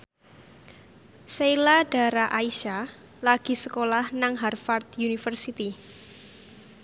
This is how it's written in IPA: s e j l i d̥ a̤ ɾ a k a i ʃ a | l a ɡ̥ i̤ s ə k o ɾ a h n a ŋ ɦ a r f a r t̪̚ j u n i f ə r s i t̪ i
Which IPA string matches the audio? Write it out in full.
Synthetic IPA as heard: s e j l a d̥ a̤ ɾ a ʔ a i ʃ a | l a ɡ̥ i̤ s ə k o l a h n a ŋ ɦ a r f a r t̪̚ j u n i f ə r s i t̪ i